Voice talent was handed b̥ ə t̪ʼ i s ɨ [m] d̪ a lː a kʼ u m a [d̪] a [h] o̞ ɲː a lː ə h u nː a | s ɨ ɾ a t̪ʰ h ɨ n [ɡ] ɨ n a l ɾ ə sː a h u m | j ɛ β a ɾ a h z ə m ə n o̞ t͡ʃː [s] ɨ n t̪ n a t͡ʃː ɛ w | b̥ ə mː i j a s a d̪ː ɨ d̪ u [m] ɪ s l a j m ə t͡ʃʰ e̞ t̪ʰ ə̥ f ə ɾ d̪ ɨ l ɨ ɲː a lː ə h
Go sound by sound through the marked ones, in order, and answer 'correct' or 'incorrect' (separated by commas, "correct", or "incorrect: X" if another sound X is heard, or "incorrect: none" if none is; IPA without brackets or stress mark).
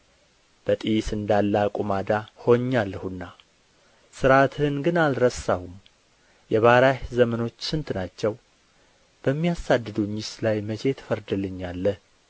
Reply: incorrect: n, correct, correct, correct, correct, incorrect: ɲ